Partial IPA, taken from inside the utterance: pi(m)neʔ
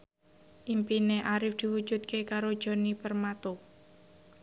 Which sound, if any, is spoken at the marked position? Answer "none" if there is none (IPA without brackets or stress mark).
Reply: none